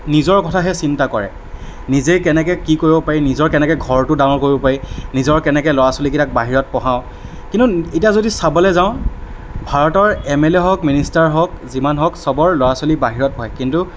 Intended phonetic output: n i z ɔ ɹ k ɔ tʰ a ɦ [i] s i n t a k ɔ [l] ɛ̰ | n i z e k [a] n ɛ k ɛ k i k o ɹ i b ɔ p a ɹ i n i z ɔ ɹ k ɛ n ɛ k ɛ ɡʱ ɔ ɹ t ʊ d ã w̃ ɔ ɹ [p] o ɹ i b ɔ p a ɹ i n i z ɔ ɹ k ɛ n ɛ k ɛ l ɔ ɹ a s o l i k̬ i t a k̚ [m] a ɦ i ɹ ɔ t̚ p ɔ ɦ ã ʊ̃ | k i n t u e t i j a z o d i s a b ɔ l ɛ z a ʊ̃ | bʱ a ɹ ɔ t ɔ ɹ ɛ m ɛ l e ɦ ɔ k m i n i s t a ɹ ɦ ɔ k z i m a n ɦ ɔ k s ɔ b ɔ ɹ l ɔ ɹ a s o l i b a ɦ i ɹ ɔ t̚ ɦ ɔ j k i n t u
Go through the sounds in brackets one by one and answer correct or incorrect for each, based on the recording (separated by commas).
incorrect, incorrect, incorrect, incorrect, incorrect